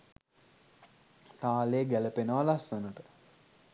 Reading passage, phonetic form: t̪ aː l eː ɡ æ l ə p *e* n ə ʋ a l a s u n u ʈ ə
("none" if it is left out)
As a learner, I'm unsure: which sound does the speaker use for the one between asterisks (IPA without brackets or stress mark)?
e